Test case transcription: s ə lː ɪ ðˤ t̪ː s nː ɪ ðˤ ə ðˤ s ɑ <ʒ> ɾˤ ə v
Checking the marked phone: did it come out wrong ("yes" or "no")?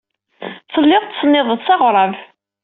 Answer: yes